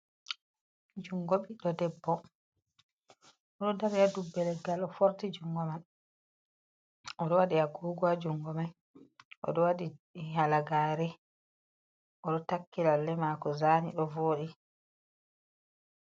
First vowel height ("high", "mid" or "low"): high